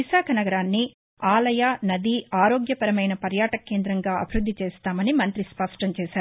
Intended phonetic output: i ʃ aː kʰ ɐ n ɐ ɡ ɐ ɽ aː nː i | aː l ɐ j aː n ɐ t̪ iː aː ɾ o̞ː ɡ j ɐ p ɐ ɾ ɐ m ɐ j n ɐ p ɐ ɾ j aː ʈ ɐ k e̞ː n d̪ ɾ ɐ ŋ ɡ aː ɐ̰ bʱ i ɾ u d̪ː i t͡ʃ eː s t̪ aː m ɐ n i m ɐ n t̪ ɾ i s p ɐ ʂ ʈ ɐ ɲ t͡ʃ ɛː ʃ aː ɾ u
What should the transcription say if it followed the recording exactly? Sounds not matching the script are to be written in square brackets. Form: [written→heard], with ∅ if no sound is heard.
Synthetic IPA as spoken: i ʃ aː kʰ ɐ n ɐ ɡ ɐ [ɽ→ɾ] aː nː i | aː l ɐ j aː n ɐ [t̪→d̪] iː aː ɾ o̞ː ɡ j ɐ p ɐ ɾ ɐ m ɐ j n ɐ p ɐ ɾ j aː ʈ ɐ k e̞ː n d̪ ɾ ɐ ŋ ɡ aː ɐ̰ bʱ i ɾ u d̪ː i t͡ʃ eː s t̪ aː m ɐ n i m ɐ n t̪ ɾ i s p ɐ ʂ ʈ ɐ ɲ t͡ʃ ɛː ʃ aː ɾ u